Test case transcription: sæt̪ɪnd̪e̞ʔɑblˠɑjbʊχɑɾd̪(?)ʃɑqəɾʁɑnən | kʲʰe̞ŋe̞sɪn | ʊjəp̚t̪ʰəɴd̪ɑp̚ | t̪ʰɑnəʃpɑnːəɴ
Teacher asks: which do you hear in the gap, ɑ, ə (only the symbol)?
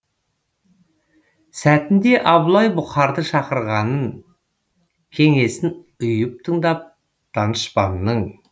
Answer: ə